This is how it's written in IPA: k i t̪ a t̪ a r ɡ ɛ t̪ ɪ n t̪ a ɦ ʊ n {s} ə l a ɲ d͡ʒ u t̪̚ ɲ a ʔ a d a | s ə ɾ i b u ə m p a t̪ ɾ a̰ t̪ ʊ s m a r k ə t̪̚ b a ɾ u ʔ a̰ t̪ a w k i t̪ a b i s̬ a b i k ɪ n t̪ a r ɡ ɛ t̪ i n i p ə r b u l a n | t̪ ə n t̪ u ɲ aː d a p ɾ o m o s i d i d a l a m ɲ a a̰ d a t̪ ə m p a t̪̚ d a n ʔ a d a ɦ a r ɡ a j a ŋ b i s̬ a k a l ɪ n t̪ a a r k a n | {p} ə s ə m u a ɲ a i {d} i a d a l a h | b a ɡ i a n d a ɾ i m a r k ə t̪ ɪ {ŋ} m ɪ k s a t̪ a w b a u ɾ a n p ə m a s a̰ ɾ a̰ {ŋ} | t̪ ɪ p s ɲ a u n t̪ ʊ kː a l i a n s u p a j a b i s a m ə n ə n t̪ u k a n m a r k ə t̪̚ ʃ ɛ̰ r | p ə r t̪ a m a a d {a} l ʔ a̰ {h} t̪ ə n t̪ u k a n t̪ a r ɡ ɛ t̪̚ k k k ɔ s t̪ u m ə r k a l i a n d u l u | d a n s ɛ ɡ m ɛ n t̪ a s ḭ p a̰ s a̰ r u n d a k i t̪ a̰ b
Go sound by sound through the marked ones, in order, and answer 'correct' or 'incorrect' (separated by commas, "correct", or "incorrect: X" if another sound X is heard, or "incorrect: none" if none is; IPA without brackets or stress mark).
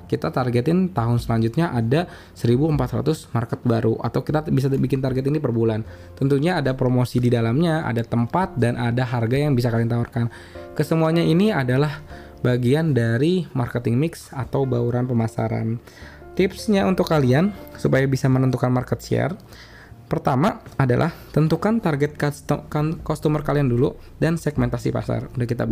correct, incorrect: k, incorrect: n, correct, incorrect: n, correct, correct